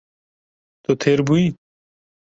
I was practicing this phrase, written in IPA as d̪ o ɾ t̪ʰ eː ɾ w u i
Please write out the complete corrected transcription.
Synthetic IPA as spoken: t̪ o t̪ʰ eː ɾ b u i